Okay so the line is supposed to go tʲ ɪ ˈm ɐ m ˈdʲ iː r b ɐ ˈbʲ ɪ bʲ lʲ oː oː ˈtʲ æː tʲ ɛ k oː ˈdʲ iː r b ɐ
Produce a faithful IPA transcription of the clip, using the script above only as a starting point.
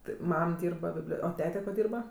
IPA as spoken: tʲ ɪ ˈm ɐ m ˈdʲ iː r b ɐ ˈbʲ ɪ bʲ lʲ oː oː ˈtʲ æː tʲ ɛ k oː ˈdʲ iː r b ɐ